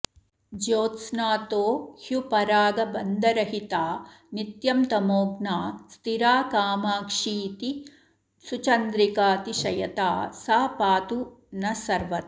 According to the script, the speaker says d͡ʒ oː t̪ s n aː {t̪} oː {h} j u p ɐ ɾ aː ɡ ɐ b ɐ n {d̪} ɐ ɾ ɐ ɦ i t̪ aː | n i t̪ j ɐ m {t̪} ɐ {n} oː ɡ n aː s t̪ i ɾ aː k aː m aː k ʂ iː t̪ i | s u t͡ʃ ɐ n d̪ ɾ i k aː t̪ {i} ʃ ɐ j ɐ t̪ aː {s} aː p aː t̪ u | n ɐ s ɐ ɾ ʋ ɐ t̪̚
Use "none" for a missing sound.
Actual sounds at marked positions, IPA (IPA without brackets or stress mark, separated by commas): t̪, h, d̪, t̪, m, i, s